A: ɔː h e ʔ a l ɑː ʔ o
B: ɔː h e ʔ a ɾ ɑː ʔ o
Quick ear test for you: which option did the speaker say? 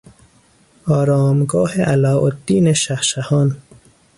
A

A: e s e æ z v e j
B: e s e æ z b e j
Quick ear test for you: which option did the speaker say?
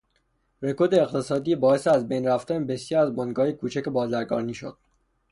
B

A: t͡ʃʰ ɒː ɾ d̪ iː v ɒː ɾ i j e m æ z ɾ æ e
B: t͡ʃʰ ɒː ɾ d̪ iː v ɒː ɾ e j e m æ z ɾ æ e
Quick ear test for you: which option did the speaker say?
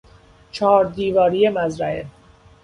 A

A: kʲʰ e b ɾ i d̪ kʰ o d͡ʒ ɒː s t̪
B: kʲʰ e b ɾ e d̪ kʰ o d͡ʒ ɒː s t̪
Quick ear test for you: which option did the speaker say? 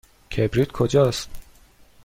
A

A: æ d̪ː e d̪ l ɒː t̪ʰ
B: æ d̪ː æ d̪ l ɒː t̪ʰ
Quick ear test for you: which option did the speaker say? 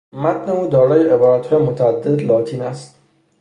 A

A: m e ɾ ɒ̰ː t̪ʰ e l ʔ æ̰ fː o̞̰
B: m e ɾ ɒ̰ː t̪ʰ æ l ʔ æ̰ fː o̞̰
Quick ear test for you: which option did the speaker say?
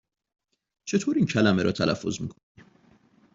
B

